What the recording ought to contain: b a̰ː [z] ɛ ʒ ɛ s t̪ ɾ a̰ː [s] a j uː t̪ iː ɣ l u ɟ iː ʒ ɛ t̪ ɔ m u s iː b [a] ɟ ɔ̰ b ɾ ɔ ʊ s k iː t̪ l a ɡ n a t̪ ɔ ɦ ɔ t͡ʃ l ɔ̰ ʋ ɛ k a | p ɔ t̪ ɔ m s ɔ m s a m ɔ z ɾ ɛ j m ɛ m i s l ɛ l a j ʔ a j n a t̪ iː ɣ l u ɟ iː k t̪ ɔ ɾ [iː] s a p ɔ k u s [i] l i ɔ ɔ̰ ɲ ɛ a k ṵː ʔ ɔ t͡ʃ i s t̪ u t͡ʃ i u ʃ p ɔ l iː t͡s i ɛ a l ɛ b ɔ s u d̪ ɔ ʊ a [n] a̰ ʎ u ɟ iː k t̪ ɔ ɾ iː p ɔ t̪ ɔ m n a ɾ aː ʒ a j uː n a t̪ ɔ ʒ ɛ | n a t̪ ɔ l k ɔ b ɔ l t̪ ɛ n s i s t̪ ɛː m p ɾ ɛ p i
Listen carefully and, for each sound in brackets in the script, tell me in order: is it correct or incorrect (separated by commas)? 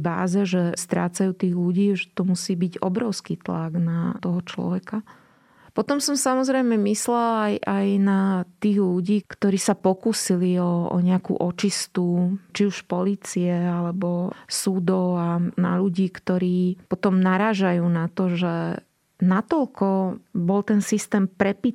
correct, incorrect, incorrect, correct, correct, correct